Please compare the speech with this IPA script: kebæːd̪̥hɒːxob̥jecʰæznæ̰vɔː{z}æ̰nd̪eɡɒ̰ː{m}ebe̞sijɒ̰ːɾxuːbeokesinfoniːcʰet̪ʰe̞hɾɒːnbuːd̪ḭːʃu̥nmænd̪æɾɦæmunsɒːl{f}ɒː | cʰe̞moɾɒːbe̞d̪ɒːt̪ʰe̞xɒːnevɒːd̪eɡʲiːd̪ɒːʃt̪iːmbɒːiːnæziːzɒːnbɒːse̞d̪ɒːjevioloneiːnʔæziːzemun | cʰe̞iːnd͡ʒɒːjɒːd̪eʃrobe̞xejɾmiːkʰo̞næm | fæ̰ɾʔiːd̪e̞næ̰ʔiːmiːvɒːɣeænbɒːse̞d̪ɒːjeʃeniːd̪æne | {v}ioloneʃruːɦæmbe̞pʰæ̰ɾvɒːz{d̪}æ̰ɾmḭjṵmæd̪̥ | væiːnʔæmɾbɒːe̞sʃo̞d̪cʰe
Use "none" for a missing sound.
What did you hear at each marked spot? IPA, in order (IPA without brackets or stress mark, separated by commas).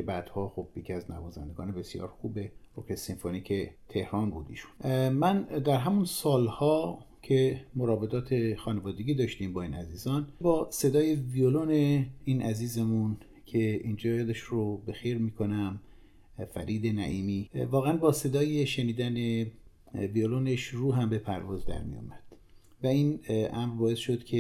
z, n, h, v, d̪